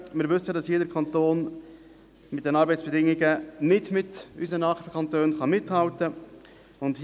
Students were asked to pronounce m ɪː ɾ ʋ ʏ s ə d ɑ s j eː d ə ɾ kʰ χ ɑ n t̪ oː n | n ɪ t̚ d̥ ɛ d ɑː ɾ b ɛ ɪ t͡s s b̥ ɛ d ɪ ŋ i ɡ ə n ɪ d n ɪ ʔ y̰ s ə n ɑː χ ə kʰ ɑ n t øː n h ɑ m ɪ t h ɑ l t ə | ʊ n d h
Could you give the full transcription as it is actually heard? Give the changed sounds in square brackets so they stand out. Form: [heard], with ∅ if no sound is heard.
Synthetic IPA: m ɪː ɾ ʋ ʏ s ə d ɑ s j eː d ə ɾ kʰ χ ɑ n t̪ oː n | [m] ɪ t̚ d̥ ɛ [n] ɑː ɾ b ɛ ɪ t͡s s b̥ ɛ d ɪ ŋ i ɡ ə n ɪ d [m] ɪ [t] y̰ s ə n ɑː χ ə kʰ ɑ n t øː n [χ] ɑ m ɪ t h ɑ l t ə | ʊ n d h